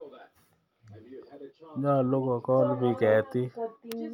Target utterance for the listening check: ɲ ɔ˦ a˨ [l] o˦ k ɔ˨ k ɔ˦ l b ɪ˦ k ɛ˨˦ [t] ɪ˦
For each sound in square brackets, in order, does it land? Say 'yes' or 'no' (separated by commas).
yes, yes